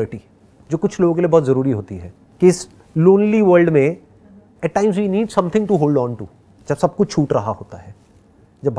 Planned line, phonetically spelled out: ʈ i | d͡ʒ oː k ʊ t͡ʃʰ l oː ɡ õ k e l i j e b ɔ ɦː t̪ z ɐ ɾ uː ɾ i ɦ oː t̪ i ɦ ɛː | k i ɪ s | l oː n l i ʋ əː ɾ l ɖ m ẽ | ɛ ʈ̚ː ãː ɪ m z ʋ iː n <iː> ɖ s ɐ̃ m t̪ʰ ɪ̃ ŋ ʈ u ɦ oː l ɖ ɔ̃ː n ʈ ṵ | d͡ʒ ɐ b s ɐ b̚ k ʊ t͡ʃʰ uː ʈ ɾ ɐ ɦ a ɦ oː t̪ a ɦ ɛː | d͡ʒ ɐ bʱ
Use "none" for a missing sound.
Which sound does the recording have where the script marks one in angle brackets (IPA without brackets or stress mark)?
iː